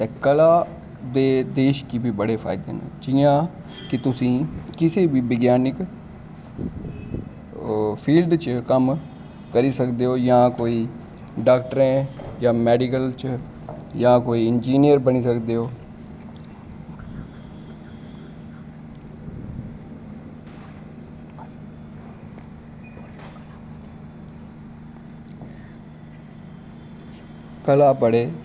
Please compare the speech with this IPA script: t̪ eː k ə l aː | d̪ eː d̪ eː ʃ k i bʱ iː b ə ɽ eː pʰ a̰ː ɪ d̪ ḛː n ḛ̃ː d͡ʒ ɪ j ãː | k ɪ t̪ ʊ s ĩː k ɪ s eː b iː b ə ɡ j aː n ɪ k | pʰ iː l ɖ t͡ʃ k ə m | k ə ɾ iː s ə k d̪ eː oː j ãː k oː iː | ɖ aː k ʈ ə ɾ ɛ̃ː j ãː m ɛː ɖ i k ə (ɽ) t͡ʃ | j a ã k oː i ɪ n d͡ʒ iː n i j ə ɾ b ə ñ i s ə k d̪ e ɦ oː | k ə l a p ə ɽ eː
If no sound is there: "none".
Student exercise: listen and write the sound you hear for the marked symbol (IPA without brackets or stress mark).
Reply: l